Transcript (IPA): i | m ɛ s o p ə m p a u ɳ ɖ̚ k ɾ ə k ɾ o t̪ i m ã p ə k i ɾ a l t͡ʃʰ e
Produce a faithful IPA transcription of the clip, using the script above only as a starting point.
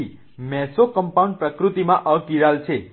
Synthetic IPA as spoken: i | m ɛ s o k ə m p a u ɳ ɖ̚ p ɾ ə k ɾ u t̪ i m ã ʔ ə k i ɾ a l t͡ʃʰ e

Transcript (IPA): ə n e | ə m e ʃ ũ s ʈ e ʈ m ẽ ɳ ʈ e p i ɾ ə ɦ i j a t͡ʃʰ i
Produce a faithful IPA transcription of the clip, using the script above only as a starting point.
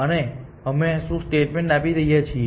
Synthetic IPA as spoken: ə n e | ə m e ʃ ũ s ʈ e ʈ m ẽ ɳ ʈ a p i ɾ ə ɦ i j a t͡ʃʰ i

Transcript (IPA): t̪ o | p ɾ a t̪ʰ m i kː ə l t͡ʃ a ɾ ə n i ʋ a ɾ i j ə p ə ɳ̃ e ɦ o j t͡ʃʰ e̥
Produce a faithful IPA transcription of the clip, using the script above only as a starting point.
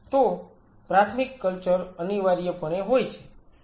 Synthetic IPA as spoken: t̪ o | p ɾ a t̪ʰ m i kː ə l t͡ʃ ə ɾ ə n i ʋ a ɾ i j ə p ə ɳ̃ e ɦ o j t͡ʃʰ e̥

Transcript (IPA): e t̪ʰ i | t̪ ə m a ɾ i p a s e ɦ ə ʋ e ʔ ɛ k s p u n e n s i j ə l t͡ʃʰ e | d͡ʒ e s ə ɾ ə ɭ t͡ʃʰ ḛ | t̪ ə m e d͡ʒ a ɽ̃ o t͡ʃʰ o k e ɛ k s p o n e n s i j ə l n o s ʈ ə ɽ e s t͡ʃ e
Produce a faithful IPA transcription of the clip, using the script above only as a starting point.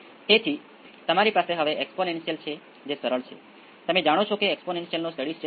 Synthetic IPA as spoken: e t̪ʰ i | t̪ ə m a ɾ i p a s e ɦ ə ʋ e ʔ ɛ k s p o n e n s i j ə l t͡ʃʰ e | d͡ʒ e s ə ɾ ə ɭ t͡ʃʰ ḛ | t̪ ə m e d͡ʒ a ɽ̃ o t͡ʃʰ o k e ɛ k s p o n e n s i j ə l n o s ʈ ə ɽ i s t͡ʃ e

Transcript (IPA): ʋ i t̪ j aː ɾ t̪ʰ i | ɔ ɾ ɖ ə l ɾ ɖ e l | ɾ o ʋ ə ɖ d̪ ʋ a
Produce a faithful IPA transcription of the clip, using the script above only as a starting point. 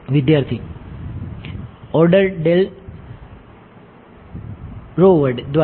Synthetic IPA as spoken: ʋ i d̪ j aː ɾ t̪ʰ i | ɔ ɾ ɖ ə ɾ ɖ e l | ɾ o ʋ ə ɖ d̪ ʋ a

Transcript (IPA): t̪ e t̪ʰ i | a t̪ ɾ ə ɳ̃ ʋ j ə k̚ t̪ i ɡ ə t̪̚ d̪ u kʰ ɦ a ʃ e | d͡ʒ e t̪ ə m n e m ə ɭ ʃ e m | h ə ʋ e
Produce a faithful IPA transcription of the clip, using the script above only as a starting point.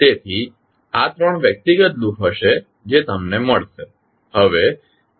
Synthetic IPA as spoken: t̪ e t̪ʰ i | a t̪ ɾ ə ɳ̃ ʋ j ə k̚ t̪ i ɡ ə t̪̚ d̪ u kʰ ɦ ə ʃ e | d͡ʒ e t̪ ə m n e m ə ɭ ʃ e | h ə ʋ e

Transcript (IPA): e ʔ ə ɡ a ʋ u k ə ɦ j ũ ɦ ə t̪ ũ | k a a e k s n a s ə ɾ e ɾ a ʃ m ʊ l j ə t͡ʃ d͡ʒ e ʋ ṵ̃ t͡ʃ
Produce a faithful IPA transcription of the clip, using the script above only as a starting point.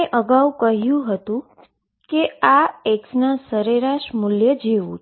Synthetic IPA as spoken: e ʔ ə ɡ a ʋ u k ə ɦ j ũ ɦ ə t̪ ũ | k e a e k s n a s ə ɾ e ɾ a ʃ m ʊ l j ə d͡ʒ e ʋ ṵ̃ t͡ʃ

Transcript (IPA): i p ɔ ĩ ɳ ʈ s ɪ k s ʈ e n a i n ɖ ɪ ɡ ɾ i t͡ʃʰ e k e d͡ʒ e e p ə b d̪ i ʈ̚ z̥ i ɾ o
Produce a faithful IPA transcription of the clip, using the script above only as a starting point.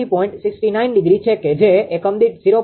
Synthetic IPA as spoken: i p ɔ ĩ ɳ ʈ s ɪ k s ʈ i n a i n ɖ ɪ ɡ ɾ i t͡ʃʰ e k e d͡ʒ e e k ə m d̪ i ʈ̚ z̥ i ɾ o

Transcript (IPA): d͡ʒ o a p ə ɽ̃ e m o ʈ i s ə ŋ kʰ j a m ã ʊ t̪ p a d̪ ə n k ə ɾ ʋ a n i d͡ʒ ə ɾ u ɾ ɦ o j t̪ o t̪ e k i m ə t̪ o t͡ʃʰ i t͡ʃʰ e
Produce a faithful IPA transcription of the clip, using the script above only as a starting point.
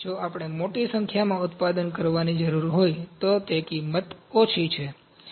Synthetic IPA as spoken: d͡ʒ o a p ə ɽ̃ e m o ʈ i s ə ŋ kʰ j a m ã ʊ t̪ p a d̪ ə n k ə ɾ ʋ a n i d͡ʒ ə ɾ u ɾ ɦ o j t̪ o t̪ e k i m ə t̪ o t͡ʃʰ i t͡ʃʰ e

